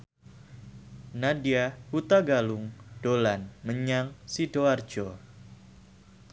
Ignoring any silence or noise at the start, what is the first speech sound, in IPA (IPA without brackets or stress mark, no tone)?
n